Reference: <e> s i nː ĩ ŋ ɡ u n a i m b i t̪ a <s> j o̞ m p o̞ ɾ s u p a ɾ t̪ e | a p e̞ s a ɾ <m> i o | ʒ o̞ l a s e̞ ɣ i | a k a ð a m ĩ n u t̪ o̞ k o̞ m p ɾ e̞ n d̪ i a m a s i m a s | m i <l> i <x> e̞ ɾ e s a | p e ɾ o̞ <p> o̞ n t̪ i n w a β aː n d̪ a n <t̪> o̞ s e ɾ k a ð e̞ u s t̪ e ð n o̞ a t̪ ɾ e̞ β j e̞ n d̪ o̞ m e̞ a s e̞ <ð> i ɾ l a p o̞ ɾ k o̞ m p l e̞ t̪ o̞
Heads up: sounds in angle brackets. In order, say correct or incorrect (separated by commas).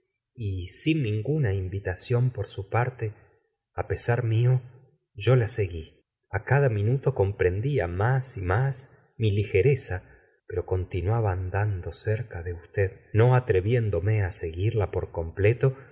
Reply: incorrect, correct, correct, correct, correct, incorrect, incorrect, incorrect